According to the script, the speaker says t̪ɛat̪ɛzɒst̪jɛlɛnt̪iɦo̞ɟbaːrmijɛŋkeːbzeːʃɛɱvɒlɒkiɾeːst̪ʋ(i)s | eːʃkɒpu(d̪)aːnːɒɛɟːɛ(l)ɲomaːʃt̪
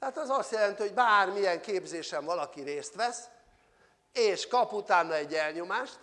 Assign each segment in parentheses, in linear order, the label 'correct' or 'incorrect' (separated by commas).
incorrect, incorrect, correct